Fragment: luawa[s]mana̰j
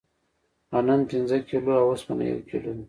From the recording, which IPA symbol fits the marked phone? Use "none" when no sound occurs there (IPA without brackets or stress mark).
s